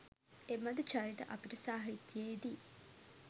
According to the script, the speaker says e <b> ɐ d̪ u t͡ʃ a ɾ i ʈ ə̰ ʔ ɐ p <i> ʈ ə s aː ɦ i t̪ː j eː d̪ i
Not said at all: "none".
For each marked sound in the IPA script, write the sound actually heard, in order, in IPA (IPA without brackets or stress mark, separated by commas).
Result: m, i